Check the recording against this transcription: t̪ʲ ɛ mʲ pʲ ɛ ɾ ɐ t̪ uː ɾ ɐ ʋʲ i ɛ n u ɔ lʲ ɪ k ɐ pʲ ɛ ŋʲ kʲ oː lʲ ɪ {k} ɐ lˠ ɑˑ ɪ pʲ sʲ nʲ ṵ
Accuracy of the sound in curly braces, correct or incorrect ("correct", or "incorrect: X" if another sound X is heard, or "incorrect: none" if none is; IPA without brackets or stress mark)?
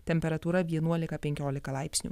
correct